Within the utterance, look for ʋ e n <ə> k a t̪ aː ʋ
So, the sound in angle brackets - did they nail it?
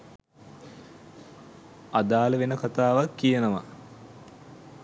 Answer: yes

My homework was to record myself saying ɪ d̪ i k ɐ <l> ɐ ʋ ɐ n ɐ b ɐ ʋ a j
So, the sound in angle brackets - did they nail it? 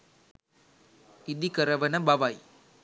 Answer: no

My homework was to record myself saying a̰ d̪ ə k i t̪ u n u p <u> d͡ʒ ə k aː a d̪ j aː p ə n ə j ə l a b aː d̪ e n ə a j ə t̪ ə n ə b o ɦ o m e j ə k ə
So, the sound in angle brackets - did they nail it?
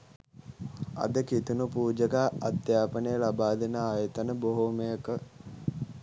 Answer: no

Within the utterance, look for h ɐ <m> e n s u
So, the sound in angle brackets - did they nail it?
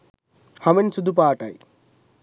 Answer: yes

